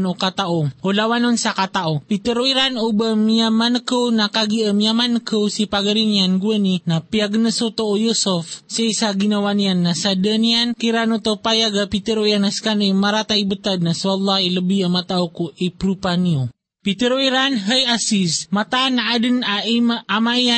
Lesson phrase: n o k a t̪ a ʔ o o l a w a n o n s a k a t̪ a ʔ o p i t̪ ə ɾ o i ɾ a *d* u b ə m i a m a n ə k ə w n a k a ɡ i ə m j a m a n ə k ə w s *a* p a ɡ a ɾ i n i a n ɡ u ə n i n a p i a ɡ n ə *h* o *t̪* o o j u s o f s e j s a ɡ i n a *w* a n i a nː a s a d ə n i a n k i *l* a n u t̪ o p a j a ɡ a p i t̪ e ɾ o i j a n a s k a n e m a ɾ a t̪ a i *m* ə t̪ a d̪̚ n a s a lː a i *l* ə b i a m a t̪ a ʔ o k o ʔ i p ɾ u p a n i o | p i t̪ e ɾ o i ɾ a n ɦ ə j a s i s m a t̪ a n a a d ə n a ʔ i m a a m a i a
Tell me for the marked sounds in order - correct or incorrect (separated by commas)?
incorrect, incorrect, incorrect, correct, correct, incorrect, incorrect, correct